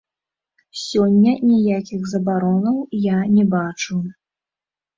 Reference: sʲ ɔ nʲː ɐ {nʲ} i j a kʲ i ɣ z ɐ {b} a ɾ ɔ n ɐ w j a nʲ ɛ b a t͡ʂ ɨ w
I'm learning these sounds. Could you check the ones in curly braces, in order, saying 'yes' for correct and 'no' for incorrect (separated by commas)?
yes, yes